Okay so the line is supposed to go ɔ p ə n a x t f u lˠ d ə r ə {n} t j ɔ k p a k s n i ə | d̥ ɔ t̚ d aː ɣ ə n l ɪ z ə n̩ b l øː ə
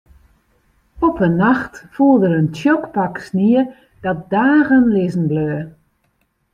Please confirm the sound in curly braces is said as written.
yes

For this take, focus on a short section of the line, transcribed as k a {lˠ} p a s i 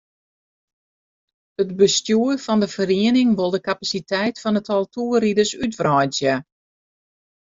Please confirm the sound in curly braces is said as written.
no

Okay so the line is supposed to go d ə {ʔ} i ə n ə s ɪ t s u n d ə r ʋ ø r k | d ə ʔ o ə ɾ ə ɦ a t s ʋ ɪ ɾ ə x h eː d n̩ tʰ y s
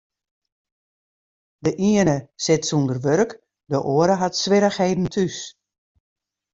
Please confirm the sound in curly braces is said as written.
yes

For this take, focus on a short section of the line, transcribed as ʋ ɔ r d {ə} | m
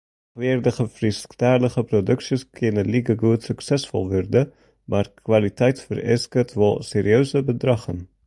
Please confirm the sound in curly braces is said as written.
yes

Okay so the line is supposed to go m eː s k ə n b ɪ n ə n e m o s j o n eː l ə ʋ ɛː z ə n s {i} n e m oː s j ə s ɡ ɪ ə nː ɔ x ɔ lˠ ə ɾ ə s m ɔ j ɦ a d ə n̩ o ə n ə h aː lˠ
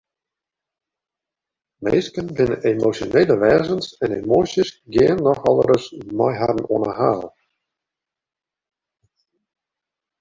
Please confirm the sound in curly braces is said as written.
no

